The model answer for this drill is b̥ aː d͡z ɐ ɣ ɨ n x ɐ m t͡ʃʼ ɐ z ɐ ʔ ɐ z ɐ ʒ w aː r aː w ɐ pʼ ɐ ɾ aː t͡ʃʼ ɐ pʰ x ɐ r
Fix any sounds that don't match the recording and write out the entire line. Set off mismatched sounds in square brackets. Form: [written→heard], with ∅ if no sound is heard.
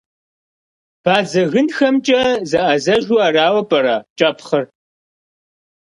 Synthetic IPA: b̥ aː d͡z ɐ ɣ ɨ n x ɐ m t͡ʃʼ ɐ z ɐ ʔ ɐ z ɐ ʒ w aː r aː w ɐ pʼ ɐ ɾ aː t͡ʃʼ ɐ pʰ [x→χ] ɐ r